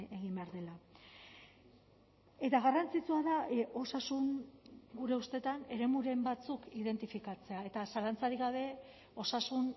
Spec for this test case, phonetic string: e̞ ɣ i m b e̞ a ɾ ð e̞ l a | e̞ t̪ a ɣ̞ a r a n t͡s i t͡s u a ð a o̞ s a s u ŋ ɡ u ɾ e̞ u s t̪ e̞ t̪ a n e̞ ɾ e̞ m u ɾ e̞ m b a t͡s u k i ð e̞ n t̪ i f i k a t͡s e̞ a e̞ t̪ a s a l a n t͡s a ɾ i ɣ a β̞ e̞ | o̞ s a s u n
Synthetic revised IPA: e̞ ɣ i m b e̞ a ɾ ð e̞ l a | e̞ t̪ a ɣ̞ a r a n t͡s i t͡s u a ð a o̞ s a s u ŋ ɡ u ɾ e̞ u s t̪ e̞ t̪ a n e̞ ɾ e̞ m u ɾ e̞ m b a t͡s u k i ð e̞ n t̪ i f i k a t͡s e̞ a e̞ t̪ a s a l a n t͡s a ɾ i ɣ a β̞ e̞ | o̞ s a s u n